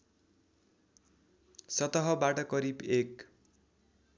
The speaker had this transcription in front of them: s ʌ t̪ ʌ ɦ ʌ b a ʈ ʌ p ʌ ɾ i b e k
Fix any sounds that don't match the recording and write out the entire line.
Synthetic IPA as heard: s ʌ t̪ ʌ ɦ ʌ b a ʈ ʌ k ʌ ɾ i b e k